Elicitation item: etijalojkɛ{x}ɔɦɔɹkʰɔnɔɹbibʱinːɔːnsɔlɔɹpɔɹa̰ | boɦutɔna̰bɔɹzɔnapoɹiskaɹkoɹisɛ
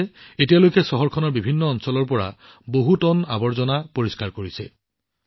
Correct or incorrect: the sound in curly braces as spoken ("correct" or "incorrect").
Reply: incorrect